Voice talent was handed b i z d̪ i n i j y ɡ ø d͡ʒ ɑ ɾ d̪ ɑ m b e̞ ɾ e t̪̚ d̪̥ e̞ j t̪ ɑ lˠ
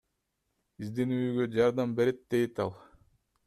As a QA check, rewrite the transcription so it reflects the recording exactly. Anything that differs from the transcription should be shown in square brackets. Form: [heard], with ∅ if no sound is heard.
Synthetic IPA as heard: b i z d̪ i n [y] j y ɡ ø d͡ʒ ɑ ɾ d̪ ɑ m b e̞ ɾ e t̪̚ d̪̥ e̞ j t̪ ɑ lˠ